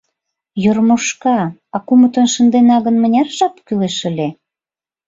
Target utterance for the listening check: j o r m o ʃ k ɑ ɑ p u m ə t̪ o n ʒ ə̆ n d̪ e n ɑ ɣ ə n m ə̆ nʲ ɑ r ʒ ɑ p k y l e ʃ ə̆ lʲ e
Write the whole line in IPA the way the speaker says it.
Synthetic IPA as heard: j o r m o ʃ k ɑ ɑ k u m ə t̪ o n ʃ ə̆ n d̪ e n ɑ ɣ ə n m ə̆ nʲ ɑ r ʒ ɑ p k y l e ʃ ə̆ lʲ e